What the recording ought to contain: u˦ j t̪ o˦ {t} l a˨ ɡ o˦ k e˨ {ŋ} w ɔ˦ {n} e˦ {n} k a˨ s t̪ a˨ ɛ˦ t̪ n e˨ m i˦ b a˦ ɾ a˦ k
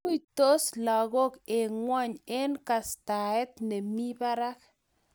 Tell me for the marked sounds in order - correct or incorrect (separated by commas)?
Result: incorrect, correct, incorrect, correct